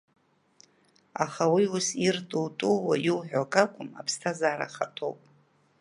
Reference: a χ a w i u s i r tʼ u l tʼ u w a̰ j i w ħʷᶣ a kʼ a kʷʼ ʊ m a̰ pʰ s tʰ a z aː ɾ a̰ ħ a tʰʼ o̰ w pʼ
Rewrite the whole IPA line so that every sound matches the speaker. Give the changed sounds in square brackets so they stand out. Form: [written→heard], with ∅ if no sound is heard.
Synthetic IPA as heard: a χ a w i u s i r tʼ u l tʼ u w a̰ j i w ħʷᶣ a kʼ a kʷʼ ʊ m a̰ pʰ s tʰ a z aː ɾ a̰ [ħ→χ] a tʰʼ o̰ w pʼ